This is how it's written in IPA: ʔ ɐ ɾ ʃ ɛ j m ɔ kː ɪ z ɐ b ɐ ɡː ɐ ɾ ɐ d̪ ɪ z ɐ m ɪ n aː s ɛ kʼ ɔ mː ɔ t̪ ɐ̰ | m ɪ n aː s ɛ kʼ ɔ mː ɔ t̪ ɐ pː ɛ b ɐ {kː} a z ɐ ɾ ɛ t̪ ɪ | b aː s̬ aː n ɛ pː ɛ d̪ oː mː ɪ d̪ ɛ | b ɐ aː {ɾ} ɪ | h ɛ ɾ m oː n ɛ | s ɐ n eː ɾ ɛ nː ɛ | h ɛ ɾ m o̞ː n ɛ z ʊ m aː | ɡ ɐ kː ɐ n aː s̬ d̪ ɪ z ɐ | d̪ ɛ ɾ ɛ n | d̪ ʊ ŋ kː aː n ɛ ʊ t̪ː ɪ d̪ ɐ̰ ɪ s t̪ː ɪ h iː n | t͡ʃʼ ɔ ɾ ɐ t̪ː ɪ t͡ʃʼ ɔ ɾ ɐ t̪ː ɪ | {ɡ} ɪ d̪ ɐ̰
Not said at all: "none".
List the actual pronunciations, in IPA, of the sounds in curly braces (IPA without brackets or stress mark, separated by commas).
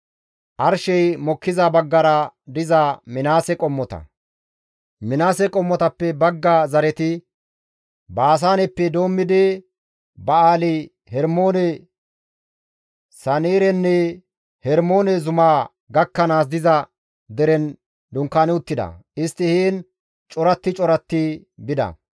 ɡː, l, b